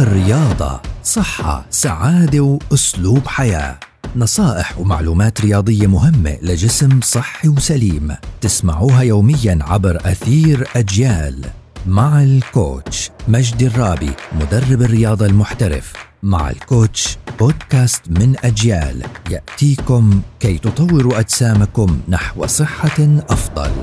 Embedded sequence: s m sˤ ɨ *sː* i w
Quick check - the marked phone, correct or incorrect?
incorrect